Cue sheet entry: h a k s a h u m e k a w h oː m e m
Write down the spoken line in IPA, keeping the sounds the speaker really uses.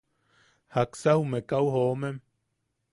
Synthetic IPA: h a k s a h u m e k a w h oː m e m